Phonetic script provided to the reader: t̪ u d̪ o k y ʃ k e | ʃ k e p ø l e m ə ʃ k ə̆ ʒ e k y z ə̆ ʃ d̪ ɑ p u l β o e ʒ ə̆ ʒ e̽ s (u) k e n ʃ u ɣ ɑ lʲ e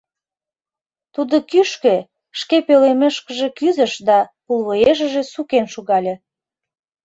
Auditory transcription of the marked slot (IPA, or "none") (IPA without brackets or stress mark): u